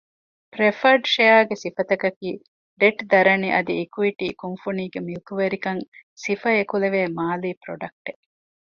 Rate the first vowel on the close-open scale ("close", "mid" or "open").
mid